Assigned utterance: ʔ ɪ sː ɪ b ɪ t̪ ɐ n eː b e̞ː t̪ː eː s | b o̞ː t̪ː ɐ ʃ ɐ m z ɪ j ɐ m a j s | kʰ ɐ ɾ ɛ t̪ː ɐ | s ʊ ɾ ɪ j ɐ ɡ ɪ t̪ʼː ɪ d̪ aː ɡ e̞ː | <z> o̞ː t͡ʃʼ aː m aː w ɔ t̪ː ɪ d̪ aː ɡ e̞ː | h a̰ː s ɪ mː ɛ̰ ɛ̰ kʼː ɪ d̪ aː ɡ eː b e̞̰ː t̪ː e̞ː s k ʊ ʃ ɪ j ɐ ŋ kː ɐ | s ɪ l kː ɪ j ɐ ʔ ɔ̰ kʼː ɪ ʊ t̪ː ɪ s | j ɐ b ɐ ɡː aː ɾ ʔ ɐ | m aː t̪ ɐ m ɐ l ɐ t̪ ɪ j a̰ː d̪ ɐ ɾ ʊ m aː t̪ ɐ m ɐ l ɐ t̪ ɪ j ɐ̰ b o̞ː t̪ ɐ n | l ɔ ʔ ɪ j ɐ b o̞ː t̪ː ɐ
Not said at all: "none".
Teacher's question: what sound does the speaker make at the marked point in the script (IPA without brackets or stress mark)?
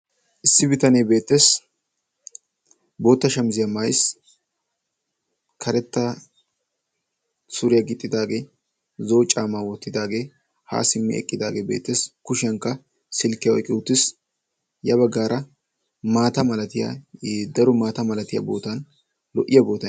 z